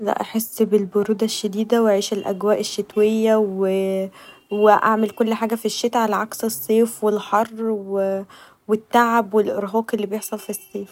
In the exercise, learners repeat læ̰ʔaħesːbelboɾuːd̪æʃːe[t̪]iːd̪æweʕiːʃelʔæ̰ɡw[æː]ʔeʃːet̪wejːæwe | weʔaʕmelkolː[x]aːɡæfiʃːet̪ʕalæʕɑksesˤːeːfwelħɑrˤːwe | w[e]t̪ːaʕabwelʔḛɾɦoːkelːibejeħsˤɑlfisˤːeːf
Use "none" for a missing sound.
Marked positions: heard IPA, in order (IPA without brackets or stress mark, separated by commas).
d̪, æː, ħ, e